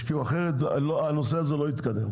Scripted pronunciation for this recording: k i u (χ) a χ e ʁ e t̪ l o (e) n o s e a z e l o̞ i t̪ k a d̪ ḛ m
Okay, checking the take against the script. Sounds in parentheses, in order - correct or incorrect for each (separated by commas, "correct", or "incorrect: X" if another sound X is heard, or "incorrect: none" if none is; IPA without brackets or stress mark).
incorrect: none, incorrect: a